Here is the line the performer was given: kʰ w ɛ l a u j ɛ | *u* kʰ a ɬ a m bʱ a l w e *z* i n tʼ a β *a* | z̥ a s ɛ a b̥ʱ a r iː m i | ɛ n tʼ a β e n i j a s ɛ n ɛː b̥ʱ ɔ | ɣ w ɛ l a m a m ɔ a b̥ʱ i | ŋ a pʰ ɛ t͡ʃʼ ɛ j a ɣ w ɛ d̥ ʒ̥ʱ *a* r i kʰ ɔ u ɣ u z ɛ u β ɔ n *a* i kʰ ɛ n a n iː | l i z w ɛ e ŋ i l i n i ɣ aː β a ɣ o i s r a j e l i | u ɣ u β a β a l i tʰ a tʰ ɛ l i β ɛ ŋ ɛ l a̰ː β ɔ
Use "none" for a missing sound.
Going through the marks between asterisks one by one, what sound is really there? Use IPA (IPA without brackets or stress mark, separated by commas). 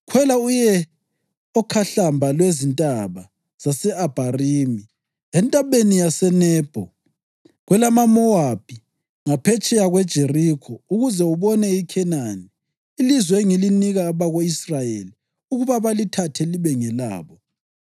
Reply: ɔ, z, a, e, ɛ